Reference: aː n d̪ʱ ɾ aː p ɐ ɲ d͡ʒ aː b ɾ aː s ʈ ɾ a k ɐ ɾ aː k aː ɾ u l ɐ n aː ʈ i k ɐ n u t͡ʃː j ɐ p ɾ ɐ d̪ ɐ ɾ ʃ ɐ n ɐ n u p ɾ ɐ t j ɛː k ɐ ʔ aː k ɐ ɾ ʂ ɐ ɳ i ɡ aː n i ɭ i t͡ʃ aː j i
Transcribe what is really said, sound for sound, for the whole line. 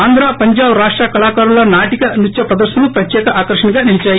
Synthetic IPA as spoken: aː n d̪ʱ ɾ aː p ɐ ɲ d͡ʒ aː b ɾ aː ʂ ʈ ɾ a k ɐ l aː k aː ɾ u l ɐ n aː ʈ i k ɐ n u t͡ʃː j ɐ p ɾ ɐ d̪ ɐ ɾ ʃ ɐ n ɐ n u p ɾ ɐ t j ɛː k ɐ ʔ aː k ɐ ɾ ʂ ɐ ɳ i ɡ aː n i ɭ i t͡ʃ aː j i